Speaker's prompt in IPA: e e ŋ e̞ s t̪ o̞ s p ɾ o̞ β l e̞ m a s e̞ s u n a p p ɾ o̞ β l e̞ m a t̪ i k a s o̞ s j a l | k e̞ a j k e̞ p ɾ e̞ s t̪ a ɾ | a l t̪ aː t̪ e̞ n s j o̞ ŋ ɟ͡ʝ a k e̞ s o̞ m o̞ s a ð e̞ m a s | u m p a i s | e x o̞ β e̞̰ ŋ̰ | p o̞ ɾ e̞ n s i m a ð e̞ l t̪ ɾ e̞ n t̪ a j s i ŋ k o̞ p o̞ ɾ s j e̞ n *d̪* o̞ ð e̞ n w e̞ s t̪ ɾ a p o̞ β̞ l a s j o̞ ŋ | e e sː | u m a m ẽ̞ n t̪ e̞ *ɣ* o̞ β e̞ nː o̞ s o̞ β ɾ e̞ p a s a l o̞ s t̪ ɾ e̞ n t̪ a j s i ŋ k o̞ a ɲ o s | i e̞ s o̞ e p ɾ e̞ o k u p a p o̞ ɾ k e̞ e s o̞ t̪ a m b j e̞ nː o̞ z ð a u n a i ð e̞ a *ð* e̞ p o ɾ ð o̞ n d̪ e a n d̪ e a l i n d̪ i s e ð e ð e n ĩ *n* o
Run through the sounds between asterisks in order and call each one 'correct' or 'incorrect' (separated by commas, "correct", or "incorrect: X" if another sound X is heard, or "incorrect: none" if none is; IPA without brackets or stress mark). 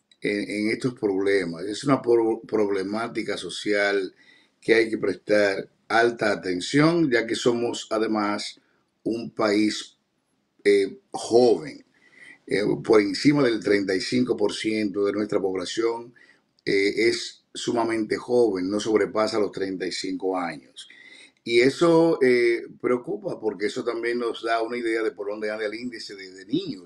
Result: incorrect: t̪, incorrect: x, correct, incorrect: ɲ